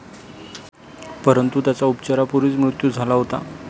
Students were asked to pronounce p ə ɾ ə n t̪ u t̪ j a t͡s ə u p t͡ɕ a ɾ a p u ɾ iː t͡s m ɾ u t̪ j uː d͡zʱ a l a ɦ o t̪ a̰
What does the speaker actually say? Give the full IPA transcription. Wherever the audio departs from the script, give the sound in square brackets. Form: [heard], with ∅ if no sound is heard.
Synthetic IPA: p ə ɾ ə n t̪ u t̪ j a t͡s [a] u p t͡ɕ a ɾ a p u ɾ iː t͡s m ɾ u t̪ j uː d͡zʱ a l a ɦ o t̪ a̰